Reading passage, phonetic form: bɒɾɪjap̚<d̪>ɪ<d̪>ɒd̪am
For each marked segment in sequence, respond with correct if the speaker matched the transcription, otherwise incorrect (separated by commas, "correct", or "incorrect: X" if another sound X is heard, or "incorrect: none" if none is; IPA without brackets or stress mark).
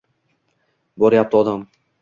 incorrect: t̪, incorrect: none